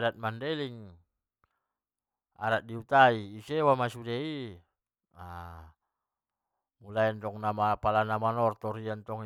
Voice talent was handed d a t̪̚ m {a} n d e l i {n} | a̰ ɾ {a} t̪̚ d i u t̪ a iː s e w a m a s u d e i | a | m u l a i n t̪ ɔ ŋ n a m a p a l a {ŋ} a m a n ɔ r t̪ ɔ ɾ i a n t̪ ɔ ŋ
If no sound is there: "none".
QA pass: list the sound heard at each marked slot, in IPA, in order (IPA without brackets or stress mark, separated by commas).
a, ŋ, a, n